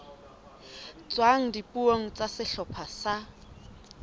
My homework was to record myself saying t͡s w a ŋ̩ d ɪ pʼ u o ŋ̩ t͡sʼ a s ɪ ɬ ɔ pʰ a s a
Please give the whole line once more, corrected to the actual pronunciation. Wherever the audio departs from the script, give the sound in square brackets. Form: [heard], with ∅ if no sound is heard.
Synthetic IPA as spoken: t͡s w a ŋ̩ d [i] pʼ u o ŋ̩ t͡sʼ a s ɪ ɬ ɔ pʰ a s a